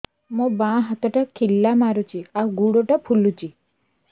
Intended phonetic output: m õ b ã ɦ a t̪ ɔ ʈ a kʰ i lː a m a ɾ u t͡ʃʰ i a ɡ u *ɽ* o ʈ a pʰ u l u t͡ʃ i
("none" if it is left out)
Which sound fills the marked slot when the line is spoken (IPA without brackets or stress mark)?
ɽ